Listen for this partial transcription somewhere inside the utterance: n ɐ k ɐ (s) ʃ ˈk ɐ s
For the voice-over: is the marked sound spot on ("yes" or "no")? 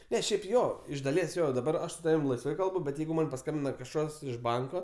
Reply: no